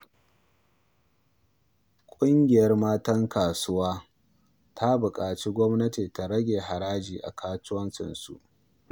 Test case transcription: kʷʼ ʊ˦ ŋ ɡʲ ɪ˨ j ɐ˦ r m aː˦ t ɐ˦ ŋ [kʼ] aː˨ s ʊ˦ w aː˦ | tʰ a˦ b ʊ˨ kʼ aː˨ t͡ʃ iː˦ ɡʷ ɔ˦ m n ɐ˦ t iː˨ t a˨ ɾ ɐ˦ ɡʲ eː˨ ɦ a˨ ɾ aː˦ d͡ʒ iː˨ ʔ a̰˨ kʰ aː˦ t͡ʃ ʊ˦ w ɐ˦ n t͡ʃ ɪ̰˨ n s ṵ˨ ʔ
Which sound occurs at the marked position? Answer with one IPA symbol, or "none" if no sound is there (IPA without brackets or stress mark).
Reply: k